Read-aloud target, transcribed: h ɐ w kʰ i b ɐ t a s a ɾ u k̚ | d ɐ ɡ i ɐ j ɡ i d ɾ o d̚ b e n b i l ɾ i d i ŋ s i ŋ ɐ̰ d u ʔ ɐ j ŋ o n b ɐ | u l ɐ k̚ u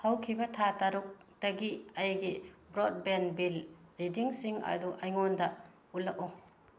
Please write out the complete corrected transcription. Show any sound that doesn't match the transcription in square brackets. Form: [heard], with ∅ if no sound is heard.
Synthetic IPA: h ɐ w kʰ i b ɐ [tʰ] a [t] a ɾ u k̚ | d ɐ ɡ i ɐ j ɡ i [b] ɾ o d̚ b e n b i l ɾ i d i ŋ s i ŋ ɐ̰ d u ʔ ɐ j ŋ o n [d] ɐ | u l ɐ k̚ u